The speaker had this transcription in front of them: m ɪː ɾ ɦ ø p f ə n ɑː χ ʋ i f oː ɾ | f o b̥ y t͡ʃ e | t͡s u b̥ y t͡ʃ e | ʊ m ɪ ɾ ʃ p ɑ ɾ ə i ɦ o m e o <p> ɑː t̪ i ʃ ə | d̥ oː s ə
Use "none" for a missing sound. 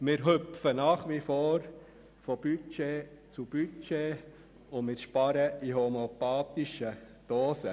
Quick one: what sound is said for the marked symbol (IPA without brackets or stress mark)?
p